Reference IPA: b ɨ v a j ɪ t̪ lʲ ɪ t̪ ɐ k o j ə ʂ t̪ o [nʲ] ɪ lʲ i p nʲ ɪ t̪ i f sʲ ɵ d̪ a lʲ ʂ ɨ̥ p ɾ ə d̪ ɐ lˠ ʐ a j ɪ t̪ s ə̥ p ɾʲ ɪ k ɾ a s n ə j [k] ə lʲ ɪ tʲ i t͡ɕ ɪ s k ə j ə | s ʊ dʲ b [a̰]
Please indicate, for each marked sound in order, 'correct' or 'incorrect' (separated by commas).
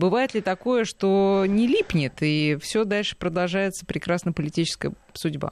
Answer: correct, incorrect, correct